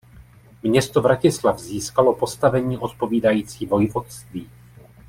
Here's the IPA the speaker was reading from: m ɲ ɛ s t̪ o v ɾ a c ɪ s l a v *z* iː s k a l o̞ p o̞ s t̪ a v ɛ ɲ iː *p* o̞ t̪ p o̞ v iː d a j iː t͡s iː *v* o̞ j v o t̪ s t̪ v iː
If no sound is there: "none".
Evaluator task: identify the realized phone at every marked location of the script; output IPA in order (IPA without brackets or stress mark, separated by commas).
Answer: z, ʔ, v